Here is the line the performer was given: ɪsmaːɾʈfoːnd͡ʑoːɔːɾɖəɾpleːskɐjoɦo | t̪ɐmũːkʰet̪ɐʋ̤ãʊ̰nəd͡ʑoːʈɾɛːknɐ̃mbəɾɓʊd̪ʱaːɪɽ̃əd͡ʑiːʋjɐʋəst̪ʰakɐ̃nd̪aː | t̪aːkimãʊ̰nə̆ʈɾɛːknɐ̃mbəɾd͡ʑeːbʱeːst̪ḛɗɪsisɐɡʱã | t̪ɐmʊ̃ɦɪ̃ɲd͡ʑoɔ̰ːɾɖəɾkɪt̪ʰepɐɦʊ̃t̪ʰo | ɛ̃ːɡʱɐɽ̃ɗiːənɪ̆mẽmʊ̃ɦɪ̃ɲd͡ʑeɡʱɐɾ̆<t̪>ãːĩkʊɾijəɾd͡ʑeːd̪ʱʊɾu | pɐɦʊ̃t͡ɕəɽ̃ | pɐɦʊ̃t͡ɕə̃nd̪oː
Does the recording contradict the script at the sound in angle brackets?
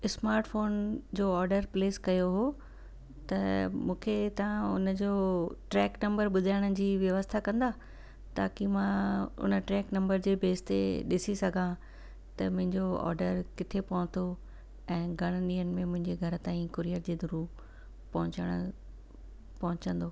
no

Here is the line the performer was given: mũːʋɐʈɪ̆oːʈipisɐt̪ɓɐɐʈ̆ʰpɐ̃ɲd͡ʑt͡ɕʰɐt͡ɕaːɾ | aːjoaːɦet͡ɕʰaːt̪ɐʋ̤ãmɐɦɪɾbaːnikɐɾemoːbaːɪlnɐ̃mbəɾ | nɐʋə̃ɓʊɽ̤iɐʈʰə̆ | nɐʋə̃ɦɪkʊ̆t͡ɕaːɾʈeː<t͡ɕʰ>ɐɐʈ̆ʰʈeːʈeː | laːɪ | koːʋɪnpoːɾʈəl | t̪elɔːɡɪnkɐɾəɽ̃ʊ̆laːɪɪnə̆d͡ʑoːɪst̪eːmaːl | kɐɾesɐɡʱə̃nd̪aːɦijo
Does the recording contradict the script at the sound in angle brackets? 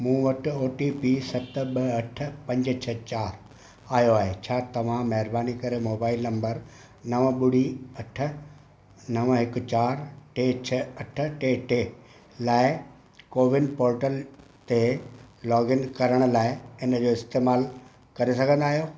no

